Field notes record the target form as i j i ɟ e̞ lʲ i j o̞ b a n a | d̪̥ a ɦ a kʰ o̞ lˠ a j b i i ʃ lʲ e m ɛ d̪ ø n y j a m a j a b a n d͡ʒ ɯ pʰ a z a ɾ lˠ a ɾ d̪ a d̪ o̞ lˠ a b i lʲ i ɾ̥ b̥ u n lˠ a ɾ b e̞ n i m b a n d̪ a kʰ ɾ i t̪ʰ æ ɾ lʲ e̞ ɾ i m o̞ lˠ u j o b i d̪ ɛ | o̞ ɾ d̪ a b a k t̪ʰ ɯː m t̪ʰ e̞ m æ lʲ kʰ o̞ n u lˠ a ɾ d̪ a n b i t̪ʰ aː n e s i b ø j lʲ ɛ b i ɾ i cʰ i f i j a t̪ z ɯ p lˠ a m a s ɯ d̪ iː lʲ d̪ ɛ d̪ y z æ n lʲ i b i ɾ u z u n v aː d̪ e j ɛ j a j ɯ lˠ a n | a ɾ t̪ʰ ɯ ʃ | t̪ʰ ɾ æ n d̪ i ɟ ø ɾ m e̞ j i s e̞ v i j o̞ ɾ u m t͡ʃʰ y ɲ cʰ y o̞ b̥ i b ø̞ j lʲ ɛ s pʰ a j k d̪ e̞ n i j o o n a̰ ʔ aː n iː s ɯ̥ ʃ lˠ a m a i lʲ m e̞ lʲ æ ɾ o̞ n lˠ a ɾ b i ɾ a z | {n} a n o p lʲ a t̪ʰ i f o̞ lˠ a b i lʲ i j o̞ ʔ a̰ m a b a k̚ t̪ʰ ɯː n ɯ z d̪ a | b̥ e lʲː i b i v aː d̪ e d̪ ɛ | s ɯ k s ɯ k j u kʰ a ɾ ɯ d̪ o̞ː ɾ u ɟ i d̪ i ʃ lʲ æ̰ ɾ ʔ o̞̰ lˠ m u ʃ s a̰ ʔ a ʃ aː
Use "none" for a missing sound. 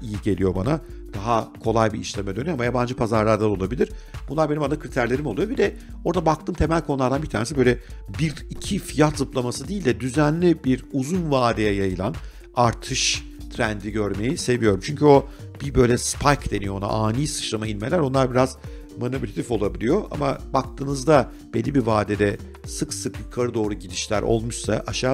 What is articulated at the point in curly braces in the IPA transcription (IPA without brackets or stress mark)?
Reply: m